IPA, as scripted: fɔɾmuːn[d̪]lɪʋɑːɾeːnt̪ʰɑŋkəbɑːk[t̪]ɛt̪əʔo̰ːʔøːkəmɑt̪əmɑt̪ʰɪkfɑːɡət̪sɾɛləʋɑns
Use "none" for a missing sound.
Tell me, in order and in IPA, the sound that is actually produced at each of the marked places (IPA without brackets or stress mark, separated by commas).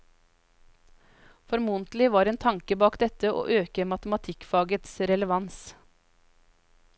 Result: t̪, d̪